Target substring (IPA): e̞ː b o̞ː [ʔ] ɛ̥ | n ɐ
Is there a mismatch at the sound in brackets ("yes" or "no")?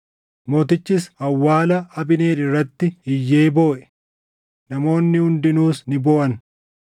no